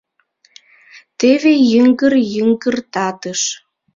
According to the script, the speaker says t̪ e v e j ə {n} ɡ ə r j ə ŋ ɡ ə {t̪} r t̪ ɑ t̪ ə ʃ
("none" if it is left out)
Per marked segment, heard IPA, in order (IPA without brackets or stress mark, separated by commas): ŋ, none